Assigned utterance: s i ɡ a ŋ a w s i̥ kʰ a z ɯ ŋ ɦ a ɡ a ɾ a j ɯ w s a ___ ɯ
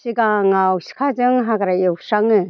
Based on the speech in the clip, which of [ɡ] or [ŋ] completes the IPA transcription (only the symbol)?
ŋ